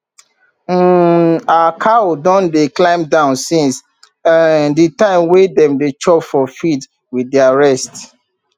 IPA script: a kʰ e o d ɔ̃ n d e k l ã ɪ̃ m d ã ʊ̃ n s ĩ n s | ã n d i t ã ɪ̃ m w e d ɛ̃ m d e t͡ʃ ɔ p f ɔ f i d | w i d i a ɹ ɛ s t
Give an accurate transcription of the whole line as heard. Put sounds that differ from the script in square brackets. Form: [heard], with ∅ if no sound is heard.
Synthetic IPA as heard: a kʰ [a] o d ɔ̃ n d e k l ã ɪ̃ m d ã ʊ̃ n s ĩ n s | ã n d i t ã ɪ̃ m w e d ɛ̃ m d e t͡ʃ ɔ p f ɔ f i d | w i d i a ɹ ɛ s t

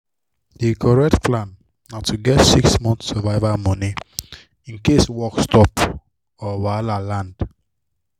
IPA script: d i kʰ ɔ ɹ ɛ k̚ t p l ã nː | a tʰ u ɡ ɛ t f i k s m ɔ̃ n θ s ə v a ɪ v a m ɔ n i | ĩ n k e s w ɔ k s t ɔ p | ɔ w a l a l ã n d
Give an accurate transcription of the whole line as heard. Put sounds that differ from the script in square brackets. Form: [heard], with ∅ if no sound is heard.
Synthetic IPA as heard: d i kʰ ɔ ɹ ɛ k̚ t p l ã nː | a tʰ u ɡ ɛ t [s] i k s m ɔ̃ n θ s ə v a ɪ v a m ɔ n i | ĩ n k e s w ɔ k s t ɔ p | ɔ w a l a l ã n d

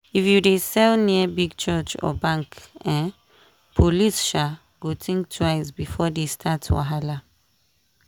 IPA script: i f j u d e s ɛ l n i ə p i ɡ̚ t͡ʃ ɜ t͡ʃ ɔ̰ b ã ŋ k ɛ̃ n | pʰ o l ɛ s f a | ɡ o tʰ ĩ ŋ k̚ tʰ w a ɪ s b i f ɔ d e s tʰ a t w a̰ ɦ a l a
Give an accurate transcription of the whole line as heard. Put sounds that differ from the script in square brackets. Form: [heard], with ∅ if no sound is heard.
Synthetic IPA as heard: i f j u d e s ɛ l n i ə [b] i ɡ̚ t͡ʃ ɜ t͡ʃ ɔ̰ b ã ŋ k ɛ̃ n | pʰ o l [i] s [ʃ] a | ɡ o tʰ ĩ ŋ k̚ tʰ w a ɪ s b i f ɔ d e s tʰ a t w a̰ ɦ a l a

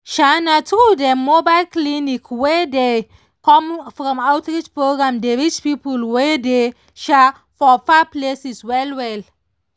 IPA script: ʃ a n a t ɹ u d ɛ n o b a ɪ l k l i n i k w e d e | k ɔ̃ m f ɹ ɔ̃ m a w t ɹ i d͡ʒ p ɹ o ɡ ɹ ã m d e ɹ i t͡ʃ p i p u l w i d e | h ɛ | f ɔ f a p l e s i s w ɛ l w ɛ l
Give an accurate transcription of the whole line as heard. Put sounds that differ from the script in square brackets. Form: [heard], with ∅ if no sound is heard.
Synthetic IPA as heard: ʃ a n a t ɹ u d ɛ [m] o b a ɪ l k l i n i k w e d e | k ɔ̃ m f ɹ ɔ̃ m a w t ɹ i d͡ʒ p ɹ o ɡ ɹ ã m d e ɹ i t͡ʃ p i p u l w [e] d e | [ʃ] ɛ | f ɔ f a p l e s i s w ɛ l w ɛ l

